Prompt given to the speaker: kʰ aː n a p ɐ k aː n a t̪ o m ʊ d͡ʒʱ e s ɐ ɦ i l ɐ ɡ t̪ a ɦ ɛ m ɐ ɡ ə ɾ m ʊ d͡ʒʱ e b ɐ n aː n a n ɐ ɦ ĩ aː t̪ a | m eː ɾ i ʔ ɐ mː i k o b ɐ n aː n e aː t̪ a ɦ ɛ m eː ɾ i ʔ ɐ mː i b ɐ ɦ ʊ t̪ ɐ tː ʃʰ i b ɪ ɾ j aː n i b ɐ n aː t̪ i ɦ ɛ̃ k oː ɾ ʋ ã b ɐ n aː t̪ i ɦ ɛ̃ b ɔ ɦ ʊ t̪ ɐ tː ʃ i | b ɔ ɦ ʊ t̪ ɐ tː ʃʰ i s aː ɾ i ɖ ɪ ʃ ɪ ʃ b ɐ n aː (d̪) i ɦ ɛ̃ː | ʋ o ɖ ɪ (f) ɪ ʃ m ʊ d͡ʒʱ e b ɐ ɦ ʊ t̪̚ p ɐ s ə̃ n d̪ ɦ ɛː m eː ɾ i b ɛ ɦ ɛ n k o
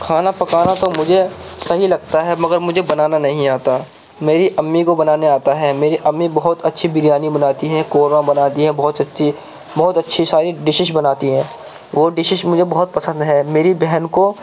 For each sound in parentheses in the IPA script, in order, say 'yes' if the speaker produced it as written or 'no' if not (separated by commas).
no, no